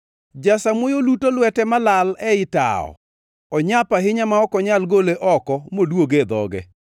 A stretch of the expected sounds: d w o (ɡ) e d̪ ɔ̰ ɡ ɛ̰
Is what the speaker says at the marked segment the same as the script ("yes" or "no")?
yes